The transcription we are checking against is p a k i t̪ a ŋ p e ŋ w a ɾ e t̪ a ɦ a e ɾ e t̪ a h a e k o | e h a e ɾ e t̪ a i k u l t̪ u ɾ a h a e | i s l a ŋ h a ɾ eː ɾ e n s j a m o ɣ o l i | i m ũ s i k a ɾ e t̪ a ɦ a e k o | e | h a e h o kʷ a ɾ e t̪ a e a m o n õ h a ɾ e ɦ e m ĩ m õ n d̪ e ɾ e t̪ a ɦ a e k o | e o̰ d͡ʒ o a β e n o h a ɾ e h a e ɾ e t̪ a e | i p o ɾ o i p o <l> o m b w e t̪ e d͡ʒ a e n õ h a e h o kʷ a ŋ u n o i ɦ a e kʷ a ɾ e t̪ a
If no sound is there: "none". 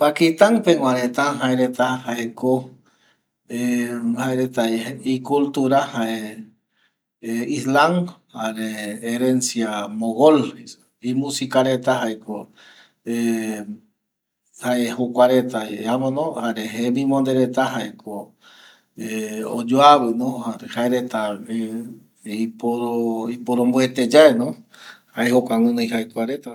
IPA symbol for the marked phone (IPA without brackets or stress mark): ɾ